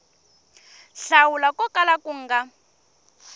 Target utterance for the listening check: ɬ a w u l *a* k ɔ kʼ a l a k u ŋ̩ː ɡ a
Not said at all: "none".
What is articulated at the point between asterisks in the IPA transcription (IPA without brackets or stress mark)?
a